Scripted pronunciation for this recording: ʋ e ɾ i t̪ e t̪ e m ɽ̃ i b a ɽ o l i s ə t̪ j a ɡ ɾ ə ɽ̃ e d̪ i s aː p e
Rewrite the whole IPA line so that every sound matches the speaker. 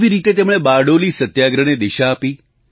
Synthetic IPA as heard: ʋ i ɾ i t̪ e t̪ e m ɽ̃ e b a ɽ o l i s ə t̪ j a ɡ ɾ ə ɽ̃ e d̪ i ʃ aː p i

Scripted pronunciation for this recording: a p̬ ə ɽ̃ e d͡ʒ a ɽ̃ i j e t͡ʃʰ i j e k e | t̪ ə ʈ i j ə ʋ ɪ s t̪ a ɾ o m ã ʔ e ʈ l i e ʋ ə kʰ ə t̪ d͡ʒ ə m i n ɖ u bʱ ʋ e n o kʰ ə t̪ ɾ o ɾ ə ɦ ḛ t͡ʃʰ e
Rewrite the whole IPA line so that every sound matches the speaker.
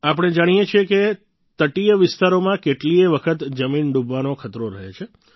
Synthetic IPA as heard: a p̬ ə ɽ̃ e d͡ʒ a ɽ̃ i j e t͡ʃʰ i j e k e | t̪ ə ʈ i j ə ʋ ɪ s t̪ a ɾ o m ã k e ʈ l i e ʋ ə kʰ ə t̪ d͡ʒ ə m i n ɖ u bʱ ʋ a n o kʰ ə t̪ ɾ o ɾ ə ɦ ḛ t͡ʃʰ e

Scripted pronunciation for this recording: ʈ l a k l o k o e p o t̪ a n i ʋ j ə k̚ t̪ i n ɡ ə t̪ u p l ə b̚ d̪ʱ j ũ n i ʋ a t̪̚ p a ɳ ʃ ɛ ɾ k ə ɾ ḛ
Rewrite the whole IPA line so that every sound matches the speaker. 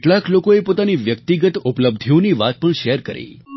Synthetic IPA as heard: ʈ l a k l o k o e p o t̪ a n i ʋ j ə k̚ t̪ i ɡ ə t̪ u p l ə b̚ d̪ʱ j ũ n i ʋ a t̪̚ p ə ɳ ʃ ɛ ɾ k ə ɾ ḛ

